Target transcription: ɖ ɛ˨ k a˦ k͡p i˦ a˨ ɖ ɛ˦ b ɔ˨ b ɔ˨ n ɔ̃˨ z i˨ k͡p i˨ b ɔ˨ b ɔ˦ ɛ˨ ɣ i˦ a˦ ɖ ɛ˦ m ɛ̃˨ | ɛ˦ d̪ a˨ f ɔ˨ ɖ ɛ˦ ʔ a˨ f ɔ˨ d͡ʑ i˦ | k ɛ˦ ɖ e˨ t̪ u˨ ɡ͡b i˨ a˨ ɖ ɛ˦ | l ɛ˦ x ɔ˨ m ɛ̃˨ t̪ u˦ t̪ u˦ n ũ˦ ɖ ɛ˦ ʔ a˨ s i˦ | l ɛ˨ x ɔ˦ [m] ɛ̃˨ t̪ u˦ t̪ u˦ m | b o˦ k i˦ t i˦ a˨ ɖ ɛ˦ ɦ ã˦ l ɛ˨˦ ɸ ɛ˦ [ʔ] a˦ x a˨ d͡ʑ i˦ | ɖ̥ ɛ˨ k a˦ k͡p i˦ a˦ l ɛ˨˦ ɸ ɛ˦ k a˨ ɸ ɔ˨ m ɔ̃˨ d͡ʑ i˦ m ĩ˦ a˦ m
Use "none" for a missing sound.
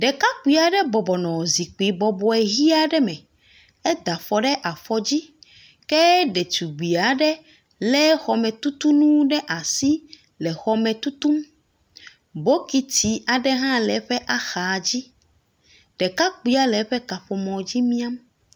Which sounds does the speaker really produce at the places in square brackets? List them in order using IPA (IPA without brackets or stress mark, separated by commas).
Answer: m, ʔ